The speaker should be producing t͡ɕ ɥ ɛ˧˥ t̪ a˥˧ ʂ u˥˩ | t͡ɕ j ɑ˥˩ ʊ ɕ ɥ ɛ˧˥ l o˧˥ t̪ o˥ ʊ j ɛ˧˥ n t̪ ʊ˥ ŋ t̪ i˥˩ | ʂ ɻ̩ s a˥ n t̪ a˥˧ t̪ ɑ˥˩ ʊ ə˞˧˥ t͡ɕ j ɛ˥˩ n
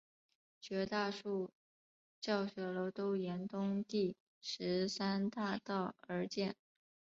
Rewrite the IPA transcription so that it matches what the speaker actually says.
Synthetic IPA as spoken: t͡ɕ ɥ ɛ˧˥ t̪ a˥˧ ʂ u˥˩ | t͡ɕ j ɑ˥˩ ʊ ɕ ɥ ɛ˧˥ l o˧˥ t̪ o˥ ʊ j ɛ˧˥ n t̪ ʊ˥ ŋ t̪ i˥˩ | ʂ ɻ̩ s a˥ n t̪ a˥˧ t̪ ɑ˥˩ ʊ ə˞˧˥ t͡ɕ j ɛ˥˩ n

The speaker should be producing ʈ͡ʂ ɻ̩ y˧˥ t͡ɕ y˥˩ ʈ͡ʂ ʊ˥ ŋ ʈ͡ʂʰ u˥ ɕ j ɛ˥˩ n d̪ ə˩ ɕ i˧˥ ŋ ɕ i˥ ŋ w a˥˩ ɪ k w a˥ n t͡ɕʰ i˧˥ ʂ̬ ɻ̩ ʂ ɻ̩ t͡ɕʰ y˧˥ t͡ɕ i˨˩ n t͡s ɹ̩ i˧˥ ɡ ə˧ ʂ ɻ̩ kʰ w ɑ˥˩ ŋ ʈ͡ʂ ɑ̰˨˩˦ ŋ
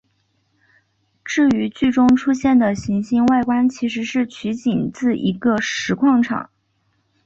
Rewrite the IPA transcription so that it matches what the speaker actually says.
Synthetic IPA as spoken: ʈ͡ʂ ɻ̩ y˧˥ t͡ɕ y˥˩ ʈ͡ʂ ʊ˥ ŋ ʈ͡ʂʰ u˥ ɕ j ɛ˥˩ n d̪ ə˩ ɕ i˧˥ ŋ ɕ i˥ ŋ w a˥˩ ɪ k w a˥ n t͡ɕʰ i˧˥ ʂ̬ ɻ̩ ʂ ɻ̩ t͡ɕʰ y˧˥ t͡ɕ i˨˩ n t͡s ɹ̩ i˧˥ ɡ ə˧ ʂ ɻ̩ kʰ w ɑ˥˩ ŋ ʈ͡ʂʰ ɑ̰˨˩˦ ŋ

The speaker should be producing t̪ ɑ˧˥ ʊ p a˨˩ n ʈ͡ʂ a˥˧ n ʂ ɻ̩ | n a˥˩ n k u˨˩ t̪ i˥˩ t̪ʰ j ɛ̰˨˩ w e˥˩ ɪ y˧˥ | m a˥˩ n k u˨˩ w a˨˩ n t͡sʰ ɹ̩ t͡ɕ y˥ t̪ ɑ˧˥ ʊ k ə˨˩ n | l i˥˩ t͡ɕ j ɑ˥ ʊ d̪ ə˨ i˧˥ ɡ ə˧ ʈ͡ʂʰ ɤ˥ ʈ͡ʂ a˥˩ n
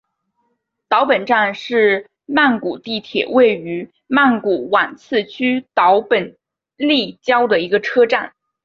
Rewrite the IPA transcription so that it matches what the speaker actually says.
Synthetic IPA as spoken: t̪ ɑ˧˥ ʊ p ə˨˩ n ʈ͡ʂ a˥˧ n ʂ ɻ̩ | m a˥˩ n k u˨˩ t̪ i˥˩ t̪ʰ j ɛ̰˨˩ w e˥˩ ɪ y˧˥ | m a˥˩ n k u˨˩ w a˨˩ n t͡sʰ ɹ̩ t͡ɕʰ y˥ t̪ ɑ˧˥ ʊ p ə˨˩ n | l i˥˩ t͡ɕ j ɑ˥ ʊ d̪ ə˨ i˧˥ ɡ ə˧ ʈ͡ʂʰ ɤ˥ ʈ͡ʂ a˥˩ n

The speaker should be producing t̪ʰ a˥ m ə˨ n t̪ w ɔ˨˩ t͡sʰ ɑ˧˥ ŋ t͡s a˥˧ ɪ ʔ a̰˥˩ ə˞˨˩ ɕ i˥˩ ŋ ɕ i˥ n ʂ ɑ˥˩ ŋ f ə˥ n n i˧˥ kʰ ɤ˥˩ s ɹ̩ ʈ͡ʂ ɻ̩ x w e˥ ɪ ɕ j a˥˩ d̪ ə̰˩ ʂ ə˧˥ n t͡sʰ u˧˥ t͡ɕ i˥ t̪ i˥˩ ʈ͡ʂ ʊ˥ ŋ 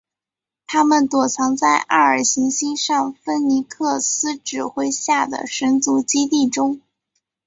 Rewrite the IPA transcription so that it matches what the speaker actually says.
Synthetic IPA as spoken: t̪ʰ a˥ m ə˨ n t̪ w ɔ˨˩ t͡sʰ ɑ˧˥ ŋ t͡s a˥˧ ɪ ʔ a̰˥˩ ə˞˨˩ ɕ i˧˥ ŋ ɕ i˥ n ʂ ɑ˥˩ ŋ f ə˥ n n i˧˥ kʰ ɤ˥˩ s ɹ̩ ʈ͡ʂ ɻ̩ x w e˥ ɪ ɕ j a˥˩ d̪ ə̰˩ ʂ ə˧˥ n t͡s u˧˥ t͡ɕ i˥ t̪ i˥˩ ʈ͡ʂ ʊ˥ ŋ

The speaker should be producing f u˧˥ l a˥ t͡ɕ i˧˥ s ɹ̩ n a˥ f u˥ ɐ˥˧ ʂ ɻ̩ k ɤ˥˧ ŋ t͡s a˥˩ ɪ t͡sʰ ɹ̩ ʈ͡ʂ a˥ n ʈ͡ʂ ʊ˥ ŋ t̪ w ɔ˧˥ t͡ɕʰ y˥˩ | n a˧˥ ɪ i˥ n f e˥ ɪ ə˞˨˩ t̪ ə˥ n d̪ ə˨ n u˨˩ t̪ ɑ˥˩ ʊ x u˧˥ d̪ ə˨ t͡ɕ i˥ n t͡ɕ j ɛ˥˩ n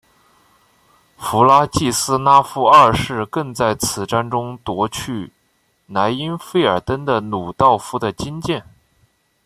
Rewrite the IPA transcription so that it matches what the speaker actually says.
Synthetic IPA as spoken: f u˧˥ l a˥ t͡ɕ i˥˩ s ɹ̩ n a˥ f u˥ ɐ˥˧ ʂ ɻ̩ k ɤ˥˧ ŋ t͡s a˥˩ ɪ t͡sʰ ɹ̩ ʈ͡ʂ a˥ n ʈ͡ʂ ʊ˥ ŋ t̪ w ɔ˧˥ t͡ɕʰ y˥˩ | n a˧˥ ɪ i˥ n f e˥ ɪ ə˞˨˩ t̪ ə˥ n d̪ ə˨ n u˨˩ t̪ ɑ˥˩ ʊ f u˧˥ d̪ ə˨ t͡ɕ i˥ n t͡ɕ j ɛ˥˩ n

